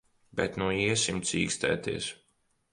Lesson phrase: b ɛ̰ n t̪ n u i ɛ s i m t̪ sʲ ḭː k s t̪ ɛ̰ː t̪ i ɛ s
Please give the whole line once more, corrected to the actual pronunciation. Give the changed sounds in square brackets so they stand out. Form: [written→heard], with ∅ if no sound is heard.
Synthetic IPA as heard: b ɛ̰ [n→∅] t̪ n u i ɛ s i m t̪ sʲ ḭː k s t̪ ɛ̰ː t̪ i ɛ s